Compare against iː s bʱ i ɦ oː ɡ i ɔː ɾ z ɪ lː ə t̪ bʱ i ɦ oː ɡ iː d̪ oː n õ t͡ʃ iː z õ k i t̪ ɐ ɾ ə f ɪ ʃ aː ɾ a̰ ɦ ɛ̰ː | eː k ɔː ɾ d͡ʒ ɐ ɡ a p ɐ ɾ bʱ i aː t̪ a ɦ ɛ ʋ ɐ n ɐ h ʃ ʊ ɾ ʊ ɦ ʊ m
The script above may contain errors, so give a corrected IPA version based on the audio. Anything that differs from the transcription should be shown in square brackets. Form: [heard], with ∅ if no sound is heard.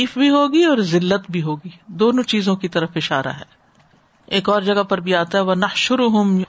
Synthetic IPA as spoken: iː [f] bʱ i ɦ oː ɡ i ɔː ɾ z ɪ lː ə t̪ bʱ i ɦ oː ɡ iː d̪ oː n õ t͡ʃ iː z õ k i t̪ ɐ ɾ ə f ɪ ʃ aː ɾ a̰ ɦ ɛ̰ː | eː k ɔː ɾ d͡ʒ ɐ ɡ a p ɐ ɾ bʱ i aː t̪ a ɦ ɛ ʋ ɐ n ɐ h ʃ ʊ ɾ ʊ ɦ ʊ m